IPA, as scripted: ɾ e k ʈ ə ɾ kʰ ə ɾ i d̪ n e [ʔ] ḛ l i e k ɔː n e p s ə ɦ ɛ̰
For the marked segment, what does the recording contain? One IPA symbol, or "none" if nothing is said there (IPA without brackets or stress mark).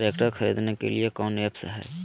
k